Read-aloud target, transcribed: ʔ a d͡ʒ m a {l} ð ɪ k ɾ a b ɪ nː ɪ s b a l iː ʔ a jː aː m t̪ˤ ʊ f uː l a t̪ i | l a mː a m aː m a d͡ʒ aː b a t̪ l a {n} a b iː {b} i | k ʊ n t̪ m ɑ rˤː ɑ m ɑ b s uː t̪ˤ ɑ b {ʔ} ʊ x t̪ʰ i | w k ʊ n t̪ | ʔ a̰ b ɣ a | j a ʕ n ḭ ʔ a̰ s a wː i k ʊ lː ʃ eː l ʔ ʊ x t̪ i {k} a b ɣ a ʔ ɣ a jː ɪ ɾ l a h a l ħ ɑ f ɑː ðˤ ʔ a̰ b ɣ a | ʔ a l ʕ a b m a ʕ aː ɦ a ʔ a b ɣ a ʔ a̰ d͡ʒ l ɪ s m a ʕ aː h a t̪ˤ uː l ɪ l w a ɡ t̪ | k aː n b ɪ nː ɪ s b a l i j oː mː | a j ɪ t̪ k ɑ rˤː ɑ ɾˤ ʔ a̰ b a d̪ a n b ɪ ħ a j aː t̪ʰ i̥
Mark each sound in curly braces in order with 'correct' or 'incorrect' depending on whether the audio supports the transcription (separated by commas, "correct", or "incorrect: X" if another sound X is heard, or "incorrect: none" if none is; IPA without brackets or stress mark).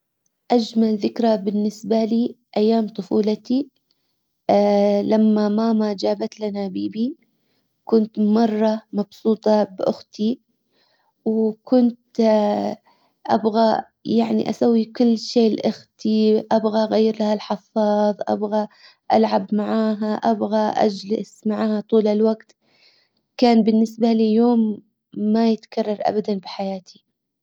correct, correct, correct, correct, incorrect: ʔ